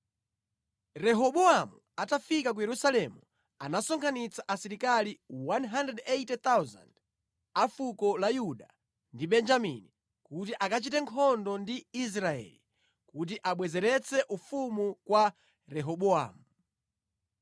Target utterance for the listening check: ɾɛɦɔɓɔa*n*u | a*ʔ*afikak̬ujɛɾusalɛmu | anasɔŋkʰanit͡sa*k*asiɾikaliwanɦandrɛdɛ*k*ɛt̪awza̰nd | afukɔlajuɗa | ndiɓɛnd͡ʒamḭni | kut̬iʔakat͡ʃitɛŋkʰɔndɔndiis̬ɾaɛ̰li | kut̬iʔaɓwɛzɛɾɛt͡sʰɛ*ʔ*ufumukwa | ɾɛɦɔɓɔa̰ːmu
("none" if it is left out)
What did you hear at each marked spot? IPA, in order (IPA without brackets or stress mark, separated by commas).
m, t, ʔ, t, ʔ